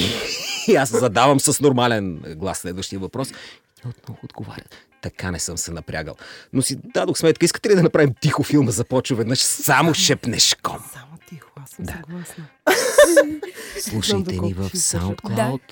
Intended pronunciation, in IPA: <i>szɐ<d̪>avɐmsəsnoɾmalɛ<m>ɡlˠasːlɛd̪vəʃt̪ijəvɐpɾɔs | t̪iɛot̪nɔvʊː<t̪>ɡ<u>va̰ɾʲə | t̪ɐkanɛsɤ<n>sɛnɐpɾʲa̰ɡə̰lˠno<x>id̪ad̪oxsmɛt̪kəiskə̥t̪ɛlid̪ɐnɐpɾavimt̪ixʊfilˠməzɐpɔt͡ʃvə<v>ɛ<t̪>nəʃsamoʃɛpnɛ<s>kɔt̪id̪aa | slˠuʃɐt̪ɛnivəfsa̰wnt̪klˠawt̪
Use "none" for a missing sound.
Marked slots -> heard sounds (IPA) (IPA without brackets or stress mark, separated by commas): a, d̪, n, d̪, o, m, s, v, d̪, ʃ